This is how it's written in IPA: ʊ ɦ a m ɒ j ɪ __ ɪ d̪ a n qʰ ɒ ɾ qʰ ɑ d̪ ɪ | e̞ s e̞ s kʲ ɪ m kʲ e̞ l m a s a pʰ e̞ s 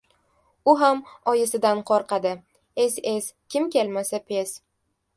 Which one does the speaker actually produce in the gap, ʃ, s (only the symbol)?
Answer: s